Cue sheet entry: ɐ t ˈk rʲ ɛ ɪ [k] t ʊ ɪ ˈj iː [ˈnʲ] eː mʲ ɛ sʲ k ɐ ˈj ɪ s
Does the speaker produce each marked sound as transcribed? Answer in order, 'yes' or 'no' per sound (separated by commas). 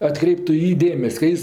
no, no